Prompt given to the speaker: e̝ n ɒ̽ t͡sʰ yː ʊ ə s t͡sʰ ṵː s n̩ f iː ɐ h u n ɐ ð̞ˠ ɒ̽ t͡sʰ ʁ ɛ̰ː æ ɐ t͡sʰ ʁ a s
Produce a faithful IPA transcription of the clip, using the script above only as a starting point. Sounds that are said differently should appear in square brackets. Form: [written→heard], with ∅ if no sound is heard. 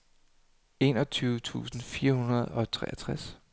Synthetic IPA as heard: e̝ n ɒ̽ t͡sʰ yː ʊ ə [s→∅] t͡sʰ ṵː s n̩ f iː ɐ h u n ɐ ð̞ˠ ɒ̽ t͡sʰ ʁ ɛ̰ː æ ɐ t͡sʰ ʁ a s